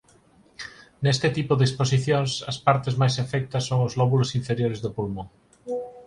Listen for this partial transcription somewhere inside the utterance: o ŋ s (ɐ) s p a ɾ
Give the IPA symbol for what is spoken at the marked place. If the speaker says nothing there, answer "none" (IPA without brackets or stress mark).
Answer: ɐ